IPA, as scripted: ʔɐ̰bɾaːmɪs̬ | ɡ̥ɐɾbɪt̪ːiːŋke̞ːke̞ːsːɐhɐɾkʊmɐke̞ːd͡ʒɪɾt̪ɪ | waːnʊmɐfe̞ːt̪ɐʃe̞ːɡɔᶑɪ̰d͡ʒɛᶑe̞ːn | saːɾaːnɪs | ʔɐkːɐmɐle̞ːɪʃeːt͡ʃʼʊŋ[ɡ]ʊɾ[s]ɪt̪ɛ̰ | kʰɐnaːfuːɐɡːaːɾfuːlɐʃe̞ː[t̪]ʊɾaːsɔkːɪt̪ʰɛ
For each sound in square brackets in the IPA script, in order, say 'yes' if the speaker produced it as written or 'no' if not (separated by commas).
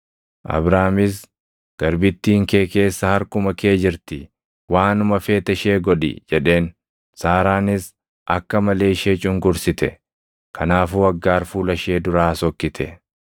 yes, yes, no